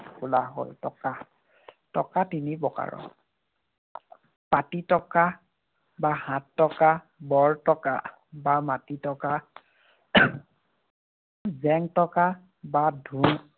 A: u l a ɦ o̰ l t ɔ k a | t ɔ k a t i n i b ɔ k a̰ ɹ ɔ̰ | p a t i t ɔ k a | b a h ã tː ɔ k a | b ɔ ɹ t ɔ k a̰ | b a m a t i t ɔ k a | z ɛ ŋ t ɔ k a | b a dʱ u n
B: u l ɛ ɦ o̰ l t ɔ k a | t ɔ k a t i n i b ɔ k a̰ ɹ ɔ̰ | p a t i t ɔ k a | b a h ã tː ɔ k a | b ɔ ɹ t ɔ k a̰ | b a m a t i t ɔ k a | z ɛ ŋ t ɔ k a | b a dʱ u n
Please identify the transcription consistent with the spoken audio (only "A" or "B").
A